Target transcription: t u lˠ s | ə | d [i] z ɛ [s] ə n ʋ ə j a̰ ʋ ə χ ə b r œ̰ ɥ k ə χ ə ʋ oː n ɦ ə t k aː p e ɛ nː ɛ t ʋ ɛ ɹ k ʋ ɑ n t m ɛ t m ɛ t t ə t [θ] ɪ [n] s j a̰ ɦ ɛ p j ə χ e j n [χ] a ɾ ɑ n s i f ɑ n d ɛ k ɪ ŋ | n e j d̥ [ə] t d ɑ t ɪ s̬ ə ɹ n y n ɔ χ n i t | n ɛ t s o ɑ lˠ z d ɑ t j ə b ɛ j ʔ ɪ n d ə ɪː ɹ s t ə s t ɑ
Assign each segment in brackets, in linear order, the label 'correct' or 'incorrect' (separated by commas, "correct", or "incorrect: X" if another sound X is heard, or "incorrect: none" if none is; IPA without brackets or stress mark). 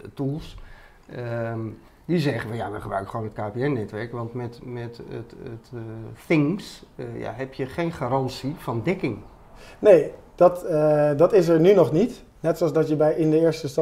correct, incorrect: χ, correct, incorrect: ŋ, correct, incorrect: ɑ